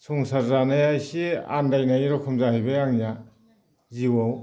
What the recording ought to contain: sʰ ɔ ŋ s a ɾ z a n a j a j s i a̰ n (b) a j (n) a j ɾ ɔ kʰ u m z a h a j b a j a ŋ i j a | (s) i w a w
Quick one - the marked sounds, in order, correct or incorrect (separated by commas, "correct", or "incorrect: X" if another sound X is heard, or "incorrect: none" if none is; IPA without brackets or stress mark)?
incorrect: d, correct, incorrect: z